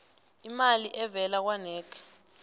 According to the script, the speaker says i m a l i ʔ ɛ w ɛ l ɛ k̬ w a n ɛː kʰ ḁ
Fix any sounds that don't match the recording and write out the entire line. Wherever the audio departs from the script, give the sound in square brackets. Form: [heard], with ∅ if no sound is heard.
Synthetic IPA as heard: i m a l i ʔ ɛ [v] ɛ l [a] k̬ w a n ɛː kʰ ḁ